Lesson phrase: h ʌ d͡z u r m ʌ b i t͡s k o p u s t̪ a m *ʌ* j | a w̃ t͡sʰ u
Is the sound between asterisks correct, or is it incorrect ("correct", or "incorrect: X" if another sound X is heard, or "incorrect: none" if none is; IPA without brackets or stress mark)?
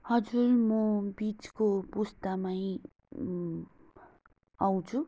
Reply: incorrect: a